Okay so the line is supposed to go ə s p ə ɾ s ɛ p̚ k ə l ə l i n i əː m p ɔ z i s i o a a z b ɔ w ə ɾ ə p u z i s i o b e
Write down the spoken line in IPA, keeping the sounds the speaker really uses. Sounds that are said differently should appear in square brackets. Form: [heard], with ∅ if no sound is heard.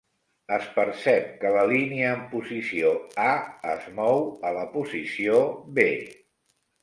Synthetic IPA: ə s p ə ɾ s ɛ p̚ k ə l ə l i n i əː m p [u] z i s i o a [ə] z [m] ɔ w ə [l] ə p u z i s i o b e

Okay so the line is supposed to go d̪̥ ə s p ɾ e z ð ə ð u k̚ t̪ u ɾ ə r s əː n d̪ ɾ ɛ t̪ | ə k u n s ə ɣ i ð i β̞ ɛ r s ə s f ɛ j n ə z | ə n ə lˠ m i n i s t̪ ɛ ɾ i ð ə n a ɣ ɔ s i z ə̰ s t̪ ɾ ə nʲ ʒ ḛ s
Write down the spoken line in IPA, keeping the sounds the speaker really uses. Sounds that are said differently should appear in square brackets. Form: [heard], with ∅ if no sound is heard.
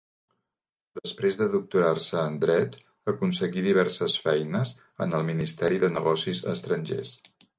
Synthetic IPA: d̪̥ ə s p ɾ e z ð ə ð u k̚ t̪ u ɾ [a] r s əː n d̪ ɾ ɛ t̪ | ə k u n s ə ɣ i ð i β̞ ɛ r s ə s f ɛ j n ə z | ə n ə lˠ m i n i s t̪ ɛ ɾ i ð ə n [ə] ɣ ɔ s i z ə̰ s t̪ ɾ ə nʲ ʒ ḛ s

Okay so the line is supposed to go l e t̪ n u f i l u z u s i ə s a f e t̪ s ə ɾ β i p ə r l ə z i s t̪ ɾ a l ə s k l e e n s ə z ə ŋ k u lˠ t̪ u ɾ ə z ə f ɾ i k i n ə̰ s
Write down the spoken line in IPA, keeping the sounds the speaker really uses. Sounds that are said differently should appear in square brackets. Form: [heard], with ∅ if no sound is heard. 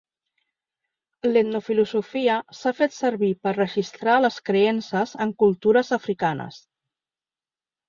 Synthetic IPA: l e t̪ n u f i l u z u [f] i ə s a f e t̪ s ə ɾ β i p ə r [r] ə [ʒ] i s t̪ ɾ a l ə s k [ɾ] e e n s ə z ə ŋ k u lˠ t̪ u ɾ ə z ə f ɾ i k [a] n ə̰ s

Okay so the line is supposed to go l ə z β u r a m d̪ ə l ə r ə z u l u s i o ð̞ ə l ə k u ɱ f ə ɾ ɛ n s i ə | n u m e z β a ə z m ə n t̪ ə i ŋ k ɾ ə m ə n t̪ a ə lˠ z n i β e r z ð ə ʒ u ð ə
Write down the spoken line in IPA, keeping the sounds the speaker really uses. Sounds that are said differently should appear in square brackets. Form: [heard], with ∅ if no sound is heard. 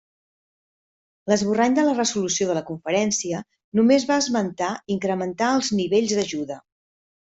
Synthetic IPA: l ə z β u r a [ɲ] d̪ ə l ə r ə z u l u s i o ð̞ ə l ə k u ɱ f ə ɾ ɛ n s i ə | n u m e z β a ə z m ə n t̪ [a] i ŋ k ɾ ə m ə n t̪ a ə lˠ z n i β e [ʎ] z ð ə ʒ u ð ə

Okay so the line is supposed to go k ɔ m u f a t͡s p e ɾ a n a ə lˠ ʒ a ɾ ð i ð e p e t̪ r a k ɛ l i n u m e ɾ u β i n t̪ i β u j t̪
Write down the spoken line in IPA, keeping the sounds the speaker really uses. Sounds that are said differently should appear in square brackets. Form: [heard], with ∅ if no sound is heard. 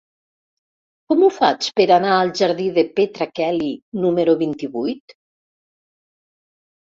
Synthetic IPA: k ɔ m u f a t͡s p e ɾ a n a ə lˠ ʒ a ɾ ð i ð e p e t̪ [ɾ] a k ɛ l i n u m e ɾ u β i n t̪ i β u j t̪

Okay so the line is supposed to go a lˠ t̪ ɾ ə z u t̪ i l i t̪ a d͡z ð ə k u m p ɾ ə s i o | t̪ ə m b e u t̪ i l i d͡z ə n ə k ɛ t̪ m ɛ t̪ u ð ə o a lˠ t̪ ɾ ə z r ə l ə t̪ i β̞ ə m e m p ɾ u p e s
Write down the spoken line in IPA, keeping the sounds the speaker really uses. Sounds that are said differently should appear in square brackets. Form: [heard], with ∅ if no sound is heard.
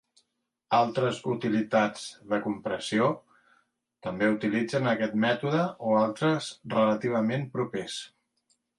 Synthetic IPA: a lˠ t̪ ɾ ə z u t̪ i l i t̪ a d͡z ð ə k u m p ɾ ə s i o | t̪ ə m b e u t̪ i l i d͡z ə n ə k ɛ t̪ m ɛ t̪ u ð ə o a lˠ t̪ ɾ ə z r ə l ə t̪ i β̞ ə m e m p ɾ u p e s

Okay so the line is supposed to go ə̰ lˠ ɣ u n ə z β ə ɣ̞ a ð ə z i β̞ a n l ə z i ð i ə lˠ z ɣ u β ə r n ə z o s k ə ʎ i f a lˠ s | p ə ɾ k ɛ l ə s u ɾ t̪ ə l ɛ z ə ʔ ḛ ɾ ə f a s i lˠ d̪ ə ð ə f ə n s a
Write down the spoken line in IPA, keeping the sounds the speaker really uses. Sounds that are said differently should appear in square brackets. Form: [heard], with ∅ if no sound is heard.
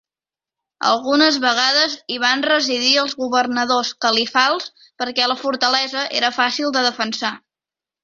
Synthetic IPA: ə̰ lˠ ɣ u n ə z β ə ɣ̞ a ð ə z i β̞ a n [r] ə z i ð i ə lˠ z ɣ u β ə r n ə [ð] o s k ə [l] i f a lˠ s | p ə ɾ k ɛ l ə [f] u ɾ t̪ ə l ɛ z ə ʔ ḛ ɾ ə f a s i lˠ d̪ ə ð ə f ə n s a

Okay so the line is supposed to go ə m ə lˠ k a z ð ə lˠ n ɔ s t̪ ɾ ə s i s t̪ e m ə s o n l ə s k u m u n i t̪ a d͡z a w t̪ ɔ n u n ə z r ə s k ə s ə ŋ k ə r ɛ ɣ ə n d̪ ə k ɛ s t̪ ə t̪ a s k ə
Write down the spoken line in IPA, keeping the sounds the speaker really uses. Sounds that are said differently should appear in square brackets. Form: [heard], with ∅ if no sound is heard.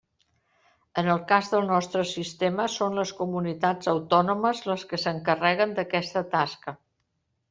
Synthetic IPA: ə [n] ə lˠ k a z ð ə lˠ n ɔ s t̪ ɾ ə s i s t̪ e m ə s o n l ə s k u m u n i t̪ a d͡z [ə] w t̪ ɔ n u [m] ə z [l] ə s k ə s ə ŋ k ə r ɛ ɣ ə n d̪ ə k ɛ s t̪ ə t̪ a s k ə

